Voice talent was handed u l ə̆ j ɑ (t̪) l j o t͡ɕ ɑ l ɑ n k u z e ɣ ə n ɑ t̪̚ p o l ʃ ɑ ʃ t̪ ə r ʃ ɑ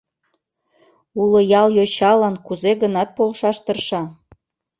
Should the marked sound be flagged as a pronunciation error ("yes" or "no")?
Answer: yes